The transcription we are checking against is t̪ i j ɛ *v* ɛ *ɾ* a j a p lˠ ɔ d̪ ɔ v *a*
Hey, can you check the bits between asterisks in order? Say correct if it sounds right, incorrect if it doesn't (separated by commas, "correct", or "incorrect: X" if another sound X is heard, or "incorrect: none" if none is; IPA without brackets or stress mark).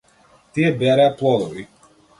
incorrect: b, correct, incorrect: i